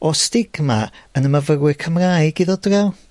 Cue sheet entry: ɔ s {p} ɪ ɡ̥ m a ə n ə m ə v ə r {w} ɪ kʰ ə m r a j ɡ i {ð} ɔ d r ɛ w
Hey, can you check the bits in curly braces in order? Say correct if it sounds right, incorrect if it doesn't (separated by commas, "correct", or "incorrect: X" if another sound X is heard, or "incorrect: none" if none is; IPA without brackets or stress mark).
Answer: incorrect: t, correct, correct